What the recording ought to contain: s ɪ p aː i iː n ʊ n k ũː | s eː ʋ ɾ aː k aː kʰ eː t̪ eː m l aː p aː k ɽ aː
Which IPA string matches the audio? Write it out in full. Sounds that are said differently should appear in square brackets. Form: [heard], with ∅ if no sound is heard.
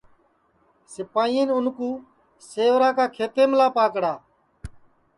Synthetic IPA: s ɪ p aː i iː n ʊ n k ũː | s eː ʋ ɾ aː k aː kʰ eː t̪ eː m l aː p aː k ɽ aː